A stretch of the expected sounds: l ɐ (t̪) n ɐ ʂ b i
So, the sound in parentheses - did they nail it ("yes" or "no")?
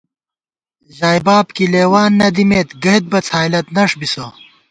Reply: yes